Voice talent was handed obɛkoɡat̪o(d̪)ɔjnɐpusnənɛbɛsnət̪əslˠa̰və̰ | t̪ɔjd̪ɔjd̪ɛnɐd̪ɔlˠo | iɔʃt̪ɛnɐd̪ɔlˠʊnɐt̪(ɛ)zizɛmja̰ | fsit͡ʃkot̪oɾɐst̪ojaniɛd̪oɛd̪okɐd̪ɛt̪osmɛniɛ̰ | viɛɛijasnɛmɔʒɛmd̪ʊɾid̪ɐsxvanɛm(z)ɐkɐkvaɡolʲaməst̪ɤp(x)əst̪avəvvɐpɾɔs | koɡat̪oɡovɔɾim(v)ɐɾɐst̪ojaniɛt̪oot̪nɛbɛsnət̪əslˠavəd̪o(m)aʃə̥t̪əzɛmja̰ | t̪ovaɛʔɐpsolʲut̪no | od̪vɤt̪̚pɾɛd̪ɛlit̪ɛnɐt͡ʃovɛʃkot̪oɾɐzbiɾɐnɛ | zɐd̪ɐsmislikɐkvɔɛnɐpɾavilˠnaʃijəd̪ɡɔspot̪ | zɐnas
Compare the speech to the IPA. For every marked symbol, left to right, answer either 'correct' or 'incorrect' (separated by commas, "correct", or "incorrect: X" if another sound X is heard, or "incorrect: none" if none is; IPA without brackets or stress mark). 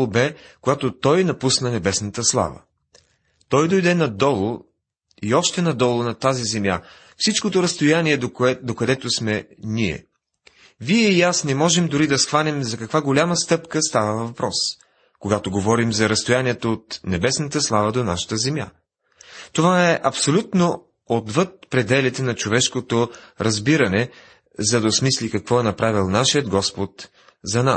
incorrect: t̪, incorrect: a, correct, incorrect: k, incorrect: z, incorrect: n